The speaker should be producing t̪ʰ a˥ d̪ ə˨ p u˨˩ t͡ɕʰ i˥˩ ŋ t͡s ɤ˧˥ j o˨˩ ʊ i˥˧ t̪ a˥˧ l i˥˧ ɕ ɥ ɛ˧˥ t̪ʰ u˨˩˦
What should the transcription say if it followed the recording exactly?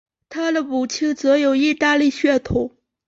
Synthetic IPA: t̪ʰ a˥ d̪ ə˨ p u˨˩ t͡ɕʰ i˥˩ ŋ t͡s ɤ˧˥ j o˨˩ ʊ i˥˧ t̪ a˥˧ l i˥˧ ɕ ɥ ɛ˥˩ t̪ʰ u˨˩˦

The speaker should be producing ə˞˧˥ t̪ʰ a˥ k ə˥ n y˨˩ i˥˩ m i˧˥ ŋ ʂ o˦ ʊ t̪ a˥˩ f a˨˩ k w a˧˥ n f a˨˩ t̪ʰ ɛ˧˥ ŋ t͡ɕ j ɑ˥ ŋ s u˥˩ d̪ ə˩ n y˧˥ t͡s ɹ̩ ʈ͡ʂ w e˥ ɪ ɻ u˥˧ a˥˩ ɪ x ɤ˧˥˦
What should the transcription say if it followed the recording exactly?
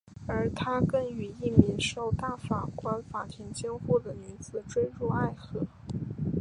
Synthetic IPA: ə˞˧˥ t̪ʰ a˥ k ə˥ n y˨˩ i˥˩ m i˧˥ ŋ ʂ o˥˩ ʊ t̪ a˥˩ f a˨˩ k w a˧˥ n f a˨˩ t̪ʰ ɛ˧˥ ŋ t͡ɕ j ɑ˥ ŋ x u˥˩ d̪ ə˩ n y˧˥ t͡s ɹ̩ ʈ͡ʂ w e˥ ɪ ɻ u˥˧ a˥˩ ɪ x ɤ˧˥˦

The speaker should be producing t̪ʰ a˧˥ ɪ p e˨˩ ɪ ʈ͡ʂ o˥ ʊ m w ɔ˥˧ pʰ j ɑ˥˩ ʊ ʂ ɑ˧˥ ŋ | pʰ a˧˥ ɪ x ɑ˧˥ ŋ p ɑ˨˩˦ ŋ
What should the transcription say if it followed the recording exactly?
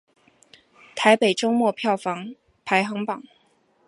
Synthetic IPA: t̪ʰ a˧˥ ɪ p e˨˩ ɪ ʈ͡ʂ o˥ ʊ m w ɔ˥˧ pʰ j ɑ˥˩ ʊ f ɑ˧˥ ŋ | pʰ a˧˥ ɪ x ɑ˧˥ ŋ p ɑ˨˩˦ ŋ

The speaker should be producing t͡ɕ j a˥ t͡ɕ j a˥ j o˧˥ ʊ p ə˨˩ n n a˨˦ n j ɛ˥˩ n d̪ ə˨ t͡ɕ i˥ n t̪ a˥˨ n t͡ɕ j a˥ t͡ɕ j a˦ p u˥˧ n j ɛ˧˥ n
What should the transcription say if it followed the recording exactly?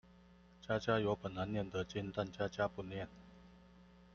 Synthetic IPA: t͡ɕ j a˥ t͡ɕ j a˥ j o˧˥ ʊ p ə˨˩ n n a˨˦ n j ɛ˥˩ n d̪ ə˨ t͡ɕ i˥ n t̪ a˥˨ n t͡ɕ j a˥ t͡ɕ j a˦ p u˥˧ n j ɛ˥˨ n

